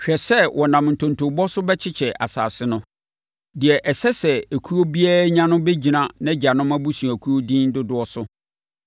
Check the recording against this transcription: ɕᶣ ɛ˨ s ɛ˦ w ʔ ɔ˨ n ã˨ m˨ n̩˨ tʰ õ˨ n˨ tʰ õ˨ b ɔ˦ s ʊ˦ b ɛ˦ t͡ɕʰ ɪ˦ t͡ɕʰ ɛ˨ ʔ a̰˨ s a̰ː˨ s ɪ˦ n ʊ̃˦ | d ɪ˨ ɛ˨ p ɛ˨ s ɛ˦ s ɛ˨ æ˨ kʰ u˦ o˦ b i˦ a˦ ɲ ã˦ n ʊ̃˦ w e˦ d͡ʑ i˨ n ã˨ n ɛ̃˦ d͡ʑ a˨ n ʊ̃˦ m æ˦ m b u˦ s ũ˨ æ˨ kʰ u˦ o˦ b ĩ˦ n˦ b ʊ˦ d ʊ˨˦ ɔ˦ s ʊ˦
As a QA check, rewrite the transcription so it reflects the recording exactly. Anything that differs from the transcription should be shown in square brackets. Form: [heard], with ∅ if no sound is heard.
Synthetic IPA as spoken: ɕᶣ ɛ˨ s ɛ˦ w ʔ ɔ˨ n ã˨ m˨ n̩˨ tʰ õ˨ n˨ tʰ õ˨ b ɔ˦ s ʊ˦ b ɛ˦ t͡ɕʰ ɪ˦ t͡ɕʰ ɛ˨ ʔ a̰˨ s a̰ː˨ s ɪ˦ n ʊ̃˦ | d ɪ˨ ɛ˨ [ʔ] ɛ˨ s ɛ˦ s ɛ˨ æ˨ kʰ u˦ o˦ b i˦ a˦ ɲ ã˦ n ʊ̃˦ [b] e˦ d͡ʑ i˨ n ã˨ n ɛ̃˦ d͡ʑ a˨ n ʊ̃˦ m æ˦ [∅] b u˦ s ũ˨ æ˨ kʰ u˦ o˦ [d] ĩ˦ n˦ [d] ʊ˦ d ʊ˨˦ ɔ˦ s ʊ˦

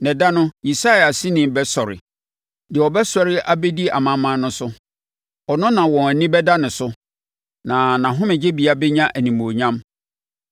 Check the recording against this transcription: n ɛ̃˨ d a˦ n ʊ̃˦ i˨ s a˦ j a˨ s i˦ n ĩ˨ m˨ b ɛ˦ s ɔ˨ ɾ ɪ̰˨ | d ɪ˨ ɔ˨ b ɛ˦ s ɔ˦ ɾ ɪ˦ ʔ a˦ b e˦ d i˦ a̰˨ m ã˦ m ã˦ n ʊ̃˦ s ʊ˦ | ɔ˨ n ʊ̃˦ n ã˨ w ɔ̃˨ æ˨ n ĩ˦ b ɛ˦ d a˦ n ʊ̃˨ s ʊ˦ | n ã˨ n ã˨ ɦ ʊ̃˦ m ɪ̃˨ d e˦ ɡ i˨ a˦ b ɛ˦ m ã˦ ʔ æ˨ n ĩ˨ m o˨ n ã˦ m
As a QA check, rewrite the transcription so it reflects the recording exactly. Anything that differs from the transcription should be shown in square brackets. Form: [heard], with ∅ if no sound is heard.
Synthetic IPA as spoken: n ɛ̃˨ d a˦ n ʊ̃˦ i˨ s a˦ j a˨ s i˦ n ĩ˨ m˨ b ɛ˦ s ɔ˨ ɾ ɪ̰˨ | d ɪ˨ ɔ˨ b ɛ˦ s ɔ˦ ɾ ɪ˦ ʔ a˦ b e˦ d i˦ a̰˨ m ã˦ m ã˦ n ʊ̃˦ s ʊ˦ | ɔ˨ n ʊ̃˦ n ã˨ w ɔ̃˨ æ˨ n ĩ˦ b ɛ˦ d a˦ n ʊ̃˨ s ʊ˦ | n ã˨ n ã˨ ɦ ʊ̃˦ m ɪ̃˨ [d͡ʑ] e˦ [b] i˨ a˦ b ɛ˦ [ɲ] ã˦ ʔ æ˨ n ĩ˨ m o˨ [ɲ] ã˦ m

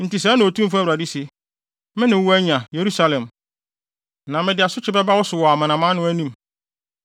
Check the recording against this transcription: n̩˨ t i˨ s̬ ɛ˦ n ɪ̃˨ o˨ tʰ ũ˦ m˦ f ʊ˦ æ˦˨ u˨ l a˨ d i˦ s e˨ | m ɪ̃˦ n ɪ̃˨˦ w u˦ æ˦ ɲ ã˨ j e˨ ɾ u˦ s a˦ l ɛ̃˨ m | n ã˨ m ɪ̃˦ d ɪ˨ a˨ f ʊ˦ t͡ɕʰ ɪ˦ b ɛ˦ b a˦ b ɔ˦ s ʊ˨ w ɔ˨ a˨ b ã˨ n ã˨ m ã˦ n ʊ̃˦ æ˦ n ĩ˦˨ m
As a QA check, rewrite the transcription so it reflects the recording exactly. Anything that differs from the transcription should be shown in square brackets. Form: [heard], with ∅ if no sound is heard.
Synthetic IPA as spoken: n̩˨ t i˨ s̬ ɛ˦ n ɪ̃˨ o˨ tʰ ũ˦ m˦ f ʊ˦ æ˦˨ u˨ [ɾ] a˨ d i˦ s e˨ | m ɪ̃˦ n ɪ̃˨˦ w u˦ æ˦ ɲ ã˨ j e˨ ɾ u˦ s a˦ l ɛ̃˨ m | n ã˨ m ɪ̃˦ d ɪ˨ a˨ [s] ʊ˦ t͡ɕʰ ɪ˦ b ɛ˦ b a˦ [w] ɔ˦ s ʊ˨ w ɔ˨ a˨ [m] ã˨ n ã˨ m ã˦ n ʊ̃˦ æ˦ n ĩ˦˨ m

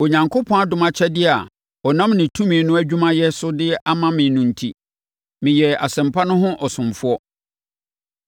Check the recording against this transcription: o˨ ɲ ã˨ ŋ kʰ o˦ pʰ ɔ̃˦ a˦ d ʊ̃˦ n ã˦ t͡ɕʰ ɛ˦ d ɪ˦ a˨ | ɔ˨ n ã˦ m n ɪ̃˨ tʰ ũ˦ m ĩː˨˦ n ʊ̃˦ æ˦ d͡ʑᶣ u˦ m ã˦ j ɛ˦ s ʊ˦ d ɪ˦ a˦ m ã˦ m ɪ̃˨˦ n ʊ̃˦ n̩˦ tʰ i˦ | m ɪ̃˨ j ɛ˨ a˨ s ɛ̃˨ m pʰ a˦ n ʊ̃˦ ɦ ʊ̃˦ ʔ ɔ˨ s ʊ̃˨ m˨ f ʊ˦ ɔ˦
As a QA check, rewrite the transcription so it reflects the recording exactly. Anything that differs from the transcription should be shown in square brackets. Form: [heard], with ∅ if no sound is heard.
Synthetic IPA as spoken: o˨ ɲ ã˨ ŋ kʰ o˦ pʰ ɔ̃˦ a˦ d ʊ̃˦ [m] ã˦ t͡ɕʰ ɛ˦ d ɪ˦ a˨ | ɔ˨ n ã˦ m n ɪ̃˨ tʰ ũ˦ m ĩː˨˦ n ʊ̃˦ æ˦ d͡ʑᶣ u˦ m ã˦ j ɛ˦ s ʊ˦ d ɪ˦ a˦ m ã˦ m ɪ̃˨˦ n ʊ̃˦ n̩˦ tʰ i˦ | m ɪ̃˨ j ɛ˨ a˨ s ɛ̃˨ m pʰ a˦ n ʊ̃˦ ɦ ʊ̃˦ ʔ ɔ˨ s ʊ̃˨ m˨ f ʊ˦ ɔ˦

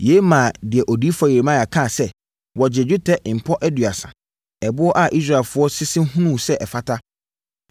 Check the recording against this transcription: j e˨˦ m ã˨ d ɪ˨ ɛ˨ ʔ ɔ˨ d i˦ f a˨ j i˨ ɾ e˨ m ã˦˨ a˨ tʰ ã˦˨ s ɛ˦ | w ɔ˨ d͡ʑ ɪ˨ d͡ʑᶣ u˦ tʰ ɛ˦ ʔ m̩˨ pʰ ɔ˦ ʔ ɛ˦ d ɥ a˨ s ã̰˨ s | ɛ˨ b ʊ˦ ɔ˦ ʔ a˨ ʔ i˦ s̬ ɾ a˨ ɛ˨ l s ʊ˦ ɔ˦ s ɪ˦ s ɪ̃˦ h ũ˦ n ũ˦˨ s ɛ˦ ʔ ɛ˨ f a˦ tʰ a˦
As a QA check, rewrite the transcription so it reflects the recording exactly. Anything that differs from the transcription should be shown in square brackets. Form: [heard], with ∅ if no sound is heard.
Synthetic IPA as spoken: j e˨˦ m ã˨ d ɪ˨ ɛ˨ ʔ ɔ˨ d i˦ f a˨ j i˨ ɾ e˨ m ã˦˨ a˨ [kʰ] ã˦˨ s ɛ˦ | w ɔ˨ d͡ʑ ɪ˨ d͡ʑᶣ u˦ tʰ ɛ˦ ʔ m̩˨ pʰ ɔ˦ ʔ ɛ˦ d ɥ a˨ s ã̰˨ [∅] | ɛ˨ b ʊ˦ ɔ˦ ʔ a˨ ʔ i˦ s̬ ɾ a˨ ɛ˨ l [f] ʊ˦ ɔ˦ s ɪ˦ s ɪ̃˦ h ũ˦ n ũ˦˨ s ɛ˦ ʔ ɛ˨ f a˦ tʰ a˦

